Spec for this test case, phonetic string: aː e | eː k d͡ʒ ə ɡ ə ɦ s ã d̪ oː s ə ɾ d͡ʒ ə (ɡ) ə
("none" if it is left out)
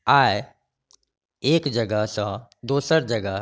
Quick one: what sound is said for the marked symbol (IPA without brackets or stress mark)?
ɡ